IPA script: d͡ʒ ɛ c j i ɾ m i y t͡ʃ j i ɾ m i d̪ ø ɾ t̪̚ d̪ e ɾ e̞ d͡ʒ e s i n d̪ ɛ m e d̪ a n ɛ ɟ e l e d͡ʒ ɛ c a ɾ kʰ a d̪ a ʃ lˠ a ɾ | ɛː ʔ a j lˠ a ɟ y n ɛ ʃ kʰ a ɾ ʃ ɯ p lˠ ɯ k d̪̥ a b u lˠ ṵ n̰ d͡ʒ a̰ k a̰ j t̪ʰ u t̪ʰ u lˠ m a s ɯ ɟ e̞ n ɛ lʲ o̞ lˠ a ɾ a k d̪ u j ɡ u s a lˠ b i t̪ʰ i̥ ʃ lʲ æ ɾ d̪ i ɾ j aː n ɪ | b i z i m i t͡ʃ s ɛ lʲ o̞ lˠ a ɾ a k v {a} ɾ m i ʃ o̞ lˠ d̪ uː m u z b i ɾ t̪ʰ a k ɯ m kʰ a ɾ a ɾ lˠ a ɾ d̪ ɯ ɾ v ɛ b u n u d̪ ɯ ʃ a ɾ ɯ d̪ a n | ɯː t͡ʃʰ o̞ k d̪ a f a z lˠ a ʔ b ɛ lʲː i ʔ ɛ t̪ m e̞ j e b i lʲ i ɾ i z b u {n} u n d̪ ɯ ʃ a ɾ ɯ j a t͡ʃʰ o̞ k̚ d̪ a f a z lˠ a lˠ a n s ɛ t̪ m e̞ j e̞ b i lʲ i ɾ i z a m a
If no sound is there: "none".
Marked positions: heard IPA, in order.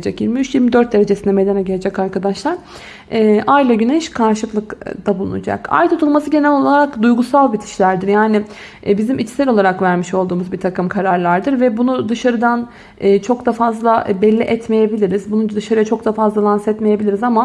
æ, n

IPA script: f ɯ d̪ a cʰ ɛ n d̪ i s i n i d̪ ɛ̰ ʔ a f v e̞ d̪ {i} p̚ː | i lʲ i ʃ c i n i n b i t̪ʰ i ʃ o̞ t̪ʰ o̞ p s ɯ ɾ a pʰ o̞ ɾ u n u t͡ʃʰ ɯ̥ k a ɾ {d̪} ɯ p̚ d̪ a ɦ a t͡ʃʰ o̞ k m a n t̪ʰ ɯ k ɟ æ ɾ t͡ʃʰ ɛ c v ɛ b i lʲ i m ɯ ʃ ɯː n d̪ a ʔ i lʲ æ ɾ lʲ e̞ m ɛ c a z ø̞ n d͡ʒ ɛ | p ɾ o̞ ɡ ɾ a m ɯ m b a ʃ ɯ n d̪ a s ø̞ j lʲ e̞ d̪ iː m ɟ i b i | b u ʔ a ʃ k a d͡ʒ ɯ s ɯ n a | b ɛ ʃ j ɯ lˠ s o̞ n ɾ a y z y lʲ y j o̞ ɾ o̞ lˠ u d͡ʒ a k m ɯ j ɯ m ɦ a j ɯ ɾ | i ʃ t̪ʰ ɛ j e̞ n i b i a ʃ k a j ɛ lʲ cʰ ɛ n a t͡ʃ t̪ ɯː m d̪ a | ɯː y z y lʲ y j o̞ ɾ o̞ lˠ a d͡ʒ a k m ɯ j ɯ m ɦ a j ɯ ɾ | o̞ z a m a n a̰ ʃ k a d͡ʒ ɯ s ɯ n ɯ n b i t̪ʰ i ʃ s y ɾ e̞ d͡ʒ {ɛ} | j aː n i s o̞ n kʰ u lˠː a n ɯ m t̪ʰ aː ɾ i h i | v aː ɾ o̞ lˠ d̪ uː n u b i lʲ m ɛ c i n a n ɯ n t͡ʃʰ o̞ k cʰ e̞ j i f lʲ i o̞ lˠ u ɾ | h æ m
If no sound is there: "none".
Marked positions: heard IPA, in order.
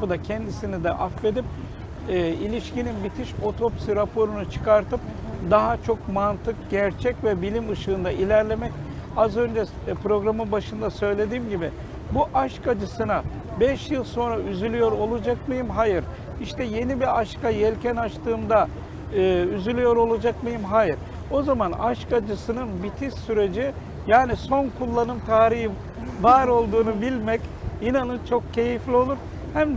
i, t̪, i

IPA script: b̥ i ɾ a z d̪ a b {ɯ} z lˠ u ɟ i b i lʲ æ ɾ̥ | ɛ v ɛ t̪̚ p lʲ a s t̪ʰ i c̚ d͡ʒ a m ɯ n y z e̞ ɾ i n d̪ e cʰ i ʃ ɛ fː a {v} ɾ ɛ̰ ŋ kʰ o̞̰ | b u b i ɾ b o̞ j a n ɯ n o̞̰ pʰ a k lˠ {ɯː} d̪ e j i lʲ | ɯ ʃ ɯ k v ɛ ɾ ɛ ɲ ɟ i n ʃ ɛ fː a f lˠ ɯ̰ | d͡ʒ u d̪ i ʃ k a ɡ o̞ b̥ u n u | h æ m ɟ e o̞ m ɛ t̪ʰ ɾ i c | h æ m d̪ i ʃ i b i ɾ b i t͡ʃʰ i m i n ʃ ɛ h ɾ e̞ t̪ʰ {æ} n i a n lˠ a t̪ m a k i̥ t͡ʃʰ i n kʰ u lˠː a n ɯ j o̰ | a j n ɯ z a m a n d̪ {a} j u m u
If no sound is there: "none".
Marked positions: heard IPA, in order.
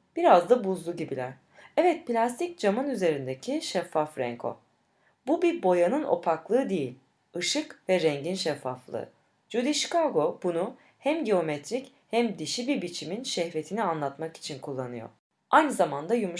u, f, ɯː, i, a

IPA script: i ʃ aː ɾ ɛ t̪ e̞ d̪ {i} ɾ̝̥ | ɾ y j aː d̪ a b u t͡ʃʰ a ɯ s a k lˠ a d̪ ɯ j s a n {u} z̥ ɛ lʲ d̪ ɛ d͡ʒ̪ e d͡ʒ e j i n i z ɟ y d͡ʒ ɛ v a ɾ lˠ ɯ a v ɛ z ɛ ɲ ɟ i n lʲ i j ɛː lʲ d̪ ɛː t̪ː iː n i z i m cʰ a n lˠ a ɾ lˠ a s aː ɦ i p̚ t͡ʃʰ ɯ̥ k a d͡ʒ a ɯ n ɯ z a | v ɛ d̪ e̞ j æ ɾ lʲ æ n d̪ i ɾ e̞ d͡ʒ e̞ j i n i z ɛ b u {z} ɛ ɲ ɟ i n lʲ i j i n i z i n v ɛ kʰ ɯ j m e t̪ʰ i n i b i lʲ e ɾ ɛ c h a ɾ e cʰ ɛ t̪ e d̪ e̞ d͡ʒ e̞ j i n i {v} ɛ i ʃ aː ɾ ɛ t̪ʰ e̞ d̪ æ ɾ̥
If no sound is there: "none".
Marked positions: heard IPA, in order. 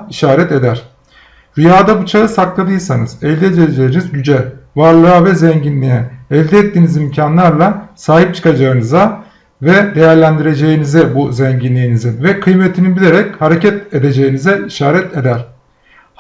æ, ɯ, z, z

